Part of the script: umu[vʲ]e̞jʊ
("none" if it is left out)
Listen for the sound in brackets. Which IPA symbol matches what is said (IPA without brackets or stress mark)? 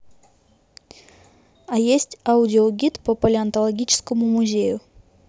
zʲ